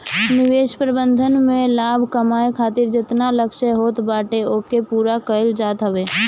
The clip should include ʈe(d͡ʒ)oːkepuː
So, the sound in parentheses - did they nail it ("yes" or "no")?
no